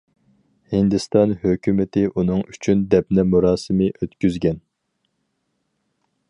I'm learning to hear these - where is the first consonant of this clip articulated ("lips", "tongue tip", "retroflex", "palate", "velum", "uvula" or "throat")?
throat